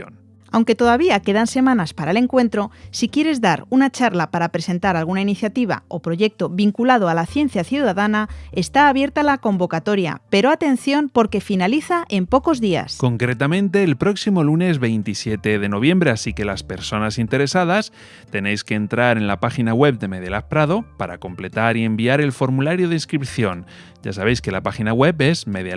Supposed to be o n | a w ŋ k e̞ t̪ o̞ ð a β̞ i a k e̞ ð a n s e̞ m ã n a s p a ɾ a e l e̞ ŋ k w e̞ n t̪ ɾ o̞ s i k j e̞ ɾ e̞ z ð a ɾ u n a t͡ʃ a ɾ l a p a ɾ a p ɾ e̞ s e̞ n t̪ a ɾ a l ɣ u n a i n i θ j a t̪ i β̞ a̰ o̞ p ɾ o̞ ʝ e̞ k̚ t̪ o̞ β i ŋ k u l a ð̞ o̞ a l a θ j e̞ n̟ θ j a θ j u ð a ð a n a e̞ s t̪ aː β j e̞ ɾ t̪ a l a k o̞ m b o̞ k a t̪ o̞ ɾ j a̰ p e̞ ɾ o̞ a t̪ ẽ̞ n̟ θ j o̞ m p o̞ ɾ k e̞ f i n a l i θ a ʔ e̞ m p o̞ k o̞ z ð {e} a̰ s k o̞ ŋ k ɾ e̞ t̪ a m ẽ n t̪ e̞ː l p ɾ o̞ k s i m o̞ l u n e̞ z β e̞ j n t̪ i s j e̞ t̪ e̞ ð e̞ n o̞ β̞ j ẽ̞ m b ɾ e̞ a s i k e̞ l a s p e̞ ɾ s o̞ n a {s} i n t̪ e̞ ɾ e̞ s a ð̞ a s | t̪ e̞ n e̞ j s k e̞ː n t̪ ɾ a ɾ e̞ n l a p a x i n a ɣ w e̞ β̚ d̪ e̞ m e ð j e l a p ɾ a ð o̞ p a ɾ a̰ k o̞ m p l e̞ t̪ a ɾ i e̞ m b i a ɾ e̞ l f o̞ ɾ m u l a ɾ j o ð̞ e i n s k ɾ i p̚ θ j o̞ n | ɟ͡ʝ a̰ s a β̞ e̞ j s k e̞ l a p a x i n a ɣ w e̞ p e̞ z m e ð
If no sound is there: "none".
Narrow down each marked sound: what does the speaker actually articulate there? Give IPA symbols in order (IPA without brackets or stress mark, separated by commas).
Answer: i, s